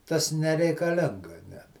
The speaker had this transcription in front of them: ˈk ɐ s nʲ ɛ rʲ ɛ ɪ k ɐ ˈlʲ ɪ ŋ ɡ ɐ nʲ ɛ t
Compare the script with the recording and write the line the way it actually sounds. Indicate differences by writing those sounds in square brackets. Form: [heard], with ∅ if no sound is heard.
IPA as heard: [ˈt] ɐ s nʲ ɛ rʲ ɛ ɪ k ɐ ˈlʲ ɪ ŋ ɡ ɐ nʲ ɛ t